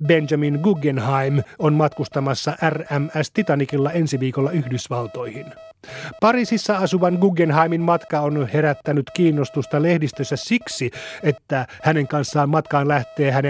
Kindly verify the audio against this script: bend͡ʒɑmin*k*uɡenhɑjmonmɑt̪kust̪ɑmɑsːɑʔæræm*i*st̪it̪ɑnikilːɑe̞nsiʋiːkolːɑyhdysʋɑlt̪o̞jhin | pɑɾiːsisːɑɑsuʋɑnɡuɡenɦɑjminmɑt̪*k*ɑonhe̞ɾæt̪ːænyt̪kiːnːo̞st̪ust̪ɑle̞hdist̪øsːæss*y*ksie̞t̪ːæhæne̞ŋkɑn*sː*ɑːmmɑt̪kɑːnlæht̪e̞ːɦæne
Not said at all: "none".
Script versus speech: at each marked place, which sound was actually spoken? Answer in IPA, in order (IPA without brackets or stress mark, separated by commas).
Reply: ɡ, æ, k, i, sː